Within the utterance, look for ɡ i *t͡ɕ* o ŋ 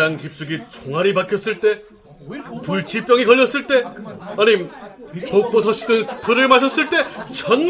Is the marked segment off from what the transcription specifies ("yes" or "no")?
no